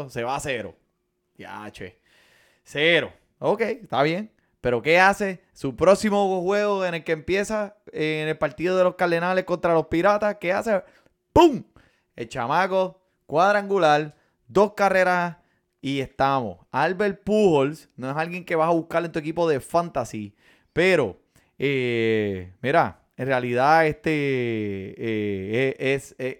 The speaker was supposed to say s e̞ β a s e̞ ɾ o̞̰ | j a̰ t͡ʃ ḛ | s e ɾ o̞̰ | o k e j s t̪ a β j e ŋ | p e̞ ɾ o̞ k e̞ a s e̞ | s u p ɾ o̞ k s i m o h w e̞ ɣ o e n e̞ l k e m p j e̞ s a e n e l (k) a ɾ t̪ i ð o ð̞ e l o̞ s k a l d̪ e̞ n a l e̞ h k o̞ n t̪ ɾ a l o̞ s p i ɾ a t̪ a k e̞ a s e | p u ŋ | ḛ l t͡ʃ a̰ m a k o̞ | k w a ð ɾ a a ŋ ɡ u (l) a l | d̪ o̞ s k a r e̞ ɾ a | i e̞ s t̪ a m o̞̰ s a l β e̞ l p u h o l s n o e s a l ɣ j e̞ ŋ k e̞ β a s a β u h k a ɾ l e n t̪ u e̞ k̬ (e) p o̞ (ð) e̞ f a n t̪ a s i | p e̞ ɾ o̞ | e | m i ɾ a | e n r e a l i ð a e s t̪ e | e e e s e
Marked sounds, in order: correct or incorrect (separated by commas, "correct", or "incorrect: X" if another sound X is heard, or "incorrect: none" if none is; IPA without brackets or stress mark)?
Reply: incorrect: p, correct, incorrect: i, correct